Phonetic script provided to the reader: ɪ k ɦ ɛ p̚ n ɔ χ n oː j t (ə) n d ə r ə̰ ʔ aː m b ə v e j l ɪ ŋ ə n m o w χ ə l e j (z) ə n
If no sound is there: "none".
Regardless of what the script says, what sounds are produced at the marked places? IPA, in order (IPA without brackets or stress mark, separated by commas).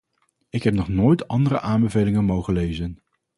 ɑ, z